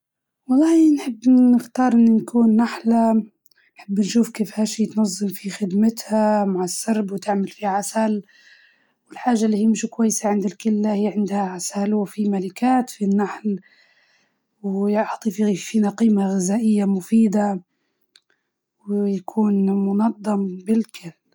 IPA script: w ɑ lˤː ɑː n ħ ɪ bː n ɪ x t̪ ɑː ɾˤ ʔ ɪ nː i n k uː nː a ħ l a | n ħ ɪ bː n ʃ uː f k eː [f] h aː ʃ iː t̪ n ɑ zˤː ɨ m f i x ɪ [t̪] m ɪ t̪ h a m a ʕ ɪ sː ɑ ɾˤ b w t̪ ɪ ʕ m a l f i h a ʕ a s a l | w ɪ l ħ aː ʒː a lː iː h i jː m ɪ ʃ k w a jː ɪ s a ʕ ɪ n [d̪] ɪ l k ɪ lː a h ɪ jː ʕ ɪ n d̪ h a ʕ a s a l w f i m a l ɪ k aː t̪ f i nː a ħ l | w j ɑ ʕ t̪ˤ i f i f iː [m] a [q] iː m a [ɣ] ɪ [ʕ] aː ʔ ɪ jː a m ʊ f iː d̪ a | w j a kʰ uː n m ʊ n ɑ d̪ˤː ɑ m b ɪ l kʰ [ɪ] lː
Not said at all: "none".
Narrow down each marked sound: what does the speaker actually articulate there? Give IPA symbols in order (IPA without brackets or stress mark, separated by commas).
f, d̪, d̪, n, q, ɣ, z, ɪ